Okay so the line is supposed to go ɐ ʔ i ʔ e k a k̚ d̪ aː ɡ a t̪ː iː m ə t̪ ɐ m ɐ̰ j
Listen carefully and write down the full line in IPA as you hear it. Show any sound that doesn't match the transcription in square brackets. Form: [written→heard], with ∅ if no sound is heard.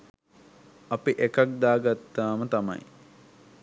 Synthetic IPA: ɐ [ʔ→p] i ʔ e k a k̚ d̪ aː ɡ a t̪ː [iː→aː] m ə t̪ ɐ m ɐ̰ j